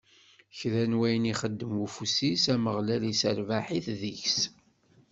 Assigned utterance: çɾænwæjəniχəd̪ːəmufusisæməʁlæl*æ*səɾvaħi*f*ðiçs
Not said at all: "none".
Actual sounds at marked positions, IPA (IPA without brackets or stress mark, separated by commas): i, θ